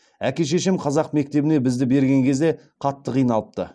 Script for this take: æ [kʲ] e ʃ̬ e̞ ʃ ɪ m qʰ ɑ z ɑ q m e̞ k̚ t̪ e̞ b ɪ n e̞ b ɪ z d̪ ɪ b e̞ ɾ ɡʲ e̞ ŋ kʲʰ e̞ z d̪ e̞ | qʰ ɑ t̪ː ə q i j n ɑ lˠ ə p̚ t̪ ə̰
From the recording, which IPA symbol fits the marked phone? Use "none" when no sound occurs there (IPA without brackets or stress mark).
kʲ